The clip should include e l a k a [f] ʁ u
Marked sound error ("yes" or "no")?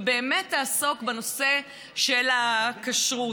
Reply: yes